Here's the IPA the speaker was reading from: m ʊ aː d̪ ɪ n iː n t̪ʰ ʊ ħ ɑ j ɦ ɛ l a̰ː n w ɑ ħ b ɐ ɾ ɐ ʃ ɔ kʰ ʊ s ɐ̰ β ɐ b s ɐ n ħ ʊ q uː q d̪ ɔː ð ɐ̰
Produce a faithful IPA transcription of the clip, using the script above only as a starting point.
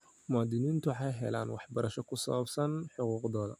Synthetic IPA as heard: m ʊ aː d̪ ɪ n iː n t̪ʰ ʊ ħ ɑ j ɦ ɛ l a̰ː n w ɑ ħ b ɐ ɾ ɐ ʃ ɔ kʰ ʊ s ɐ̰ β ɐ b s ɐ n ħ ʊ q uː q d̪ ɔː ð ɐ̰